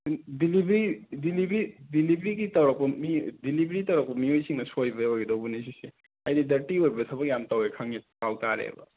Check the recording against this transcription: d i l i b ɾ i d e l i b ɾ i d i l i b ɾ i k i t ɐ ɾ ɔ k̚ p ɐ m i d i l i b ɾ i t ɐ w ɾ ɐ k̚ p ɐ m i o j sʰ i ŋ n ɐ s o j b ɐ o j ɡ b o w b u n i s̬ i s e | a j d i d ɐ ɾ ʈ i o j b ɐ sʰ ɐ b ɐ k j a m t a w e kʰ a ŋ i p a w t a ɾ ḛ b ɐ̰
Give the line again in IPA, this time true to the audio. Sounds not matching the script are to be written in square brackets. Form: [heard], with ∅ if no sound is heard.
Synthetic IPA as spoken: d i l i b ɾ i d [i] l i b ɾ i d i l i b ɾ i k i t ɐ ɾ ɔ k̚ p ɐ m i d i l i b ɾ i t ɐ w ɾ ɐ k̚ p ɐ m i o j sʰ i ŋ n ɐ s o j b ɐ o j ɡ [d] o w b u n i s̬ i s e | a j d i d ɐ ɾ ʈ i o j b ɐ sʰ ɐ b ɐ k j a m t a w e kʰ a ŋ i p a w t a ɾ ḛ b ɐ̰